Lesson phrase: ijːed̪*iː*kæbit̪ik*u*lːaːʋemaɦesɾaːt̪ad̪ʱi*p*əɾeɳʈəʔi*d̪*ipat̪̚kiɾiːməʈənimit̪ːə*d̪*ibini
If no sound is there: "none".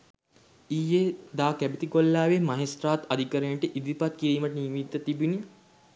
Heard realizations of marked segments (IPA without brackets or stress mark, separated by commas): aː, o, k, d̪, t̪